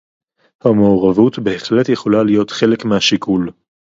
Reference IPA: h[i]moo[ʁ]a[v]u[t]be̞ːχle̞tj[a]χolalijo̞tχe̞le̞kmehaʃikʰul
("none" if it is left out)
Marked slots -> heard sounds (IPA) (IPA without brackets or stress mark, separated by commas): a, ʁ, v, t, e